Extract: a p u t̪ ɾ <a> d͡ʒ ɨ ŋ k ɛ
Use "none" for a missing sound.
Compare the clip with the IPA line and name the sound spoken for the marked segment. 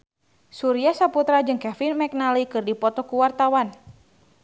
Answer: a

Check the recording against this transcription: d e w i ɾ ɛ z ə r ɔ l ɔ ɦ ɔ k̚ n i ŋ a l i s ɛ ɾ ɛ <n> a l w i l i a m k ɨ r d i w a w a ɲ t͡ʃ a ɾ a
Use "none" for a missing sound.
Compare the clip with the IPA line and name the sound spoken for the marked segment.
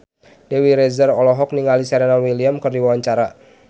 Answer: n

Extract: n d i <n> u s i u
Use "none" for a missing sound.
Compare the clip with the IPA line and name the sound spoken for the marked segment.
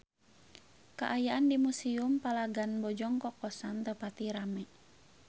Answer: m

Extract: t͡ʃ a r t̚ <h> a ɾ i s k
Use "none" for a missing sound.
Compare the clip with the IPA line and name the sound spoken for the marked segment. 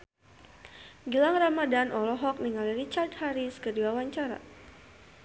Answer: h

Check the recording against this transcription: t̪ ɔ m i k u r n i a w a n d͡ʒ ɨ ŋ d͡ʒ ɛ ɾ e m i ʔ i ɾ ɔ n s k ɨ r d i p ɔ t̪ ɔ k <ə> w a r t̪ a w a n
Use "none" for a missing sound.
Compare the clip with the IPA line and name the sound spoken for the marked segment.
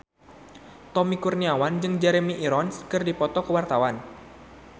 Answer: ə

